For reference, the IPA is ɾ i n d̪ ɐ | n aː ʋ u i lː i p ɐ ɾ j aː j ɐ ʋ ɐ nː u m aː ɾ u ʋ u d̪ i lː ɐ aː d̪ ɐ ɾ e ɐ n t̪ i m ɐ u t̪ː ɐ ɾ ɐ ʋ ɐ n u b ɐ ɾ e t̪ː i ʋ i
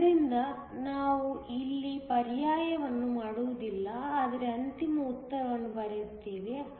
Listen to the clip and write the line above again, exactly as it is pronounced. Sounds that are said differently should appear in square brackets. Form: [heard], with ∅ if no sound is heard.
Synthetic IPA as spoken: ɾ i n d̪ ɐ | n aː ʋ u i lː i p ɐ ɾ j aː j ɐ ʋ ɐ nː u m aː [ɽ] u ʋ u d̪ i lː ɐ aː d̪ ɐ ɾ e ɐ n t̪ i m ɐ u t̪ː ɐ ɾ ɐ ʋ ɐ [nː] u b ɐ ɾ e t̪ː [iː] ʋ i